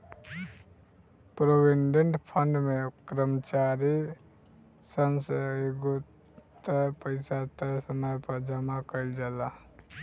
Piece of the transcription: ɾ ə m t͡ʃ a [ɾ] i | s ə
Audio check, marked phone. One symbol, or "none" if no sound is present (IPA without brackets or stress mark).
ɾ